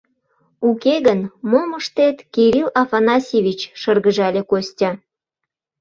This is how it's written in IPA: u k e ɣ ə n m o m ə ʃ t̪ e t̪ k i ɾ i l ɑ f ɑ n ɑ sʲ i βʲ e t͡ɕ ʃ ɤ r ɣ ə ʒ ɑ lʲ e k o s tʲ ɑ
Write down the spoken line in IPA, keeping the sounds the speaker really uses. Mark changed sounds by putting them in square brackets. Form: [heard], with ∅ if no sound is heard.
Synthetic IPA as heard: u k e ɣ ə n m o m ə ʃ t̪ e t̪ k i ɾ i l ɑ f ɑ n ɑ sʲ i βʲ [i] t͡ɕ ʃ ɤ r ɣ ə ʒ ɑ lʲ e k o s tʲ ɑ